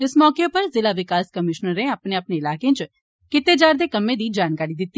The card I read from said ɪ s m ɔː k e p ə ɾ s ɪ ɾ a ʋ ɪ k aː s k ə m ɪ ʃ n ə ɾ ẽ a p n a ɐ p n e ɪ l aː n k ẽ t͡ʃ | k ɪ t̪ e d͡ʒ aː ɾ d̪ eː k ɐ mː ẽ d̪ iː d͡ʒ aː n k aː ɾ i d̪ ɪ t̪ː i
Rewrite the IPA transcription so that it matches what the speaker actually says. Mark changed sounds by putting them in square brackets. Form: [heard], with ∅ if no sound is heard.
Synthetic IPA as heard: ɪ s m ɔː k e p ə ɾ [z] ɪ [l] a ʋ ɪ k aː s k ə m ɪ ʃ n ə ɾ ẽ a p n [e] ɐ p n e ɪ l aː [∅] k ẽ t͡ʃ | k ɪ t̪ e d͡ʒ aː ɾ d̪ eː k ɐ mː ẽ d̪ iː d͡ʒ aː n k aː ɾ i d̪ ɪ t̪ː i